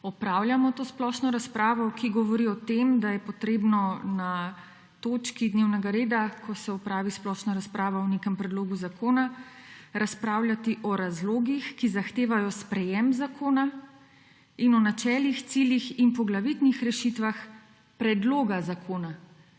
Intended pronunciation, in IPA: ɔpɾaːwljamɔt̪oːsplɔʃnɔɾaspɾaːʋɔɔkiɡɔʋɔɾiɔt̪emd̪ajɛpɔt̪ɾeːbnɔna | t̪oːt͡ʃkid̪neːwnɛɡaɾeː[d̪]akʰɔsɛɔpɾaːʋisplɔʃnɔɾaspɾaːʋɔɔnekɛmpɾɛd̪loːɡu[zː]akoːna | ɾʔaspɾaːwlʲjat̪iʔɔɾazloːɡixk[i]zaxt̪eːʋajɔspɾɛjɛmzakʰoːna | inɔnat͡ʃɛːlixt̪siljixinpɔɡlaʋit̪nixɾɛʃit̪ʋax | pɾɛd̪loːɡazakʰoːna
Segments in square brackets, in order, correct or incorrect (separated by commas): correct, incorrect, correct